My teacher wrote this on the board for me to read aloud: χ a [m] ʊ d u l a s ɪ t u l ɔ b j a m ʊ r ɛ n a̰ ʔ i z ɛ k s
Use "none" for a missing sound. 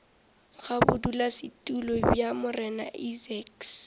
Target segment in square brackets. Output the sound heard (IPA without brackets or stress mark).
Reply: b